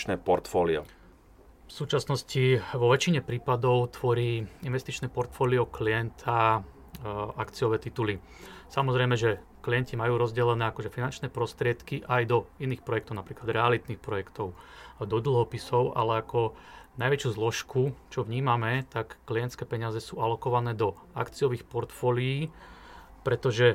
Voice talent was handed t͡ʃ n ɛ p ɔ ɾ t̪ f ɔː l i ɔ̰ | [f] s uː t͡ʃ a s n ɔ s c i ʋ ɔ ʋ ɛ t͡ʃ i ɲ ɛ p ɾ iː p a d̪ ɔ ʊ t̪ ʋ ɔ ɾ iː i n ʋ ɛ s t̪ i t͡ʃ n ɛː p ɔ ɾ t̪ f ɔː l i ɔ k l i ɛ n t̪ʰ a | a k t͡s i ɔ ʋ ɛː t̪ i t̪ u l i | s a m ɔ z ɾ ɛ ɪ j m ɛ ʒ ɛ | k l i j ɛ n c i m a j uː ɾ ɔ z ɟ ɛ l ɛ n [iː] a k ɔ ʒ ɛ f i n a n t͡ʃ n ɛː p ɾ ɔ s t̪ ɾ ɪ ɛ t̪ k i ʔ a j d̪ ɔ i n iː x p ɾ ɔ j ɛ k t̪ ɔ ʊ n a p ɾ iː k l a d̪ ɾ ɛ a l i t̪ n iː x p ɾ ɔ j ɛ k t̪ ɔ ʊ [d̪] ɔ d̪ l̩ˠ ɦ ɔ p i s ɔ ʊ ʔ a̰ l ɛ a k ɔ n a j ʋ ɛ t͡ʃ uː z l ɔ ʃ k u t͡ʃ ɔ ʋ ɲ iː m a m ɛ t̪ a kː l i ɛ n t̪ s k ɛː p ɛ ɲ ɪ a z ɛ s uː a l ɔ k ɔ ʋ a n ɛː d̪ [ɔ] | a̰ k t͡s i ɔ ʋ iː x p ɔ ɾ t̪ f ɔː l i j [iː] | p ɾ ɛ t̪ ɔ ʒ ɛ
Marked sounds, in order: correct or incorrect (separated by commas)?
correct, incorrect, correct, correct, correct